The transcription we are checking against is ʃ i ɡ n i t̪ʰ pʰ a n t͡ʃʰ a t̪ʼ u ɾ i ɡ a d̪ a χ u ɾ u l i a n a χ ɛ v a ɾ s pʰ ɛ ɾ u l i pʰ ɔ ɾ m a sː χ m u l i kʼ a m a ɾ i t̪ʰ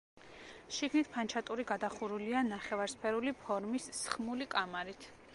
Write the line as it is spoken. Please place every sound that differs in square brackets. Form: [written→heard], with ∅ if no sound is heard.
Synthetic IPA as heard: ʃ i ɡ n i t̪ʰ pʰ a n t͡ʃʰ a t̪ʼ u ɾ i ɡ a d̪ a χ u ɾ u l i a n a χ ɛ v a ɾ s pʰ ɛ ɾ u l i pʰ ɔ ɾ m [a→i] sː χ m u l i kʼ a m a ɾ i t̪ʰ